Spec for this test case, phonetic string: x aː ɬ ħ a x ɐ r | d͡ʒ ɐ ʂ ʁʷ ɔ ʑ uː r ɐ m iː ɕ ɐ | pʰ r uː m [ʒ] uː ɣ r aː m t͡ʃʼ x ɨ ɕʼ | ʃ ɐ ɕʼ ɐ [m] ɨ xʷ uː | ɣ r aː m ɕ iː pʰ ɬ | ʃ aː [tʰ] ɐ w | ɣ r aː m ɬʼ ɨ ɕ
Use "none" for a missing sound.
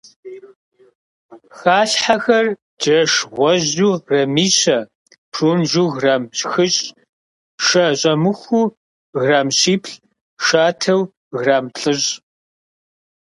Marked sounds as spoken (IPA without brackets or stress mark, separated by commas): ʒ, m, tʰ